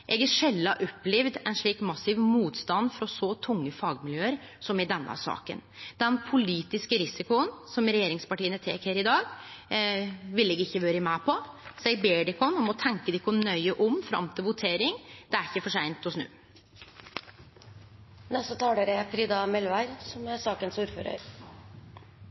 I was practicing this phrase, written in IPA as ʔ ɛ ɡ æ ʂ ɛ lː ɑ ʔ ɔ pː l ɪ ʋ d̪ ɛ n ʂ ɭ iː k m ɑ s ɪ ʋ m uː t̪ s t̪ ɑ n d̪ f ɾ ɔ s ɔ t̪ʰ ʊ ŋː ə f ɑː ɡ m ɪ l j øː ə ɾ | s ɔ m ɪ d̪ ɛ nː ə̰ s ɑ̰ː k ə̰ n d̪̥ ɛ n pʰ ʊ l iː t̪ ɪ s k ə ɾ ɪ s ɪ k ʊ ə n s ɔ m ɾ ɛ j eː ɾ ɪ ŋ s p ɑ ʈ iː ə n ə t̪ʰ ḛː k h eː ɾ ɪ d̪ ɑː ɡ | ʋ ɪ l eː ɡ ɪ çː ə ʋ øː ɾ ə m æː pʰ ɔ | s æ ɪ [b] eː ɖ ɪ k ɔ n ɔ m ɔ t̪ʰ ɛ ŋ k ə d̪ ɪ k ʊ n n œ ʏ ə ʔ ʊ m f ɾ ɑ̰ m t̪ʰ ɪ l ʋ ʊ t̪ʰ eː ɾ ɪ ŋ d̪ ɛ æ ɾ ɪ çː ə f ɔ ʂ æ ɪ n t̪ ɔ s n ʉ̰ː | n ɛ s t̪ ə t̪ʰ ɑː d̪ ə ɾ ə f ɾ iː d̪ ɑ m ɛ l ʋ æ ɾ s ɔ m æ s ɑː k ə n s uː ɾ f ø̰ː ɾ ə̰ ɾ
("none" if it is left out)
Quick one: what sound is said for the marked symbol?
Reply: b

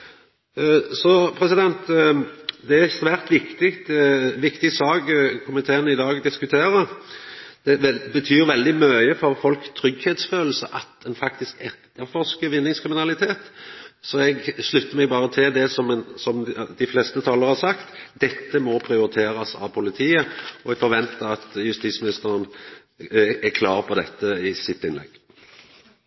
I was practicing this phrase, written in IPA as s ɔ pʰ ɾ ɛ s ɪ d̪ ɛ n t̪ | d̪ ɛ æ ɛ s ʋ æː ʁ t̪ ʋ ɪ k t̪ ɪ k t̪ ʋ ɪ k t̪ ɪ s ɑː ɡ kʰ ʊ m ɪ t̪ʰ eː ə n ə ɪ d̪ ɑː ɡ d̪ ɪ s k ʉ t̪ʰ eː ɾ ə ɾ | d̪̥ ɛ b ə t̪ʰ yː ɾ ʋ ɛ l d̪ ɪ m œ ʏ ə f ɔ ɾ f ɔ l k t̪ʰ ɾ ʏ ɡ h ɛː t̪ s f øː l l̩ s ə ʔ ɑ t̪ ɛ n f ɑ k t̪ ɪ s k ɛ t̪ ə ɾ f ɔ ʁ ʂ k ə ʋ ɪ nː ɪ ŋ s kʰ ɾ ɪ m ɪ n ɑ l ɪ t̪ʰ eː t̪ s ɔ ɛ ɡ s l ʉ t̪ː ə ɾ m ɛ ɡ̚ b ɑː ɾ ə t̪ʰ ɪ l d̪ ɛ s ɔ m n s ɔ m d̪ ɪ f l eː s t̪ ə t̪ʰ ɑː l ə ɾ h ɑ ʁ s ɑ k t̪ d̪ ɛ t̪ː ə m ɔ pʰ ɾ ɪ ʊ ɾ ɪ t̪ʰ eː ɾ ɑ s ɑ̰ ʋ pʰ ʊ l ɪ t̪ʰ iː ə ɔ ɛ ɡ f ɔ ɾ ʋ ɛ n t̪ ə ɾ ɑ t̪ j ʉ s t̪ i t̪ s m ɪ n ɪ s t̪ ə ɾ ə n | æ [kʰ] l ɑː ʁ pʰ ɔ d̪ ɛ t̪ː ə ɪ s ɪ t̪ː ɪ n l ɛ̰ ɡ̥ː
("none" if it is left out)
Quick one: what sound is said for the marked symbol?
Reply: kʰ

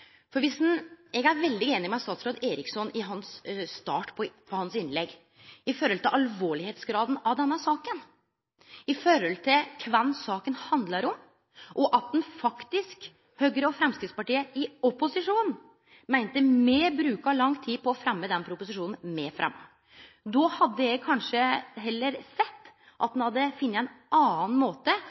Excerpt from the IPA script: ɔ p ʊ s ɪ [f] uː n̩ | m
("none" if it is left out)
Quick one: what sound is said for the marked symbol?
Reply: ʂ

